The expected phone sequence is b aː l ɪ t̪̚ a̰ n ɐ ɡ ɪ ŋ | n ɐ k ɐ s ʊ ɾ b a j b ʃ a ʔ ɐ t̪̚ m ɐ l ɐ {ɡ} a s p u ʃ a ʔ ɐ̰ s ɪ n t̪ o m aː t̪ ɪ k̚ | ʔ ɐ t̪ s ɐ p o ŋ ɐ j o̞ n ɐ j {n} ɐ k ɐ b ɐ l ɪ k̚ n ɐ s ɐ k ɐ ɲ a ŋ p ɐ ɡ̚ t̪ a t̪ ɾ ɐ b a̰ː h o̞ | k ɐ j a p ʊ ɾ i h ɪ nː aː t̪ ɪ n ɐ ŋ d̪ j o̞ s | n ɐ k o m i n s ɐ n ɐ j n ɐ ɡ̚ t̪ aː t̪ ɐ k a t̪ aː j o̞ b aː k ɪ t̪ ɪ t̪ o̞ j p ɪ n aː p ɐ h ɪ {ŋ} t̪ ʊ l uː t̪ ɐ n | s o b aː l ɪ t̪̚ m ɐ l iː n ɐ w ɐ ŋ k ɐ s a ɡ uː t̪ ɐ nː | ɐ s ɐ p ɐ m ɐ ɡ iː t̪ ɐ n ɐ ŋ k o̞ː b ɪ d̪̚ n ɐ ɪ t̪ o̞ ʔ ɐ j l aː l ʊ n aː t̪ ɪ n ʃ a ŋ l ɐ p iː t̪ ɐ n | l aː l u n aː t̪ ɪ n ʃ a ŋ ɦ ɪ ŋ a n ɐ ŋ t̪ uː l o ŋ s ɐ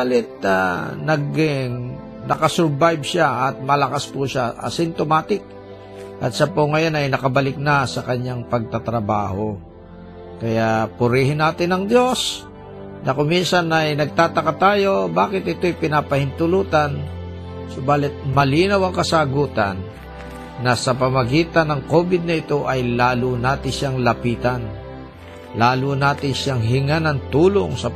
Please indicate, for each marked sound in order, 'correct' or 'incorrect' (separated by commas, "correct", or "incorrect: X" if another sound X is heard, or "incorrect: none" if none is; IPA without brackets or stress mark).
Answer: incorrect: k, correct, incorrect: n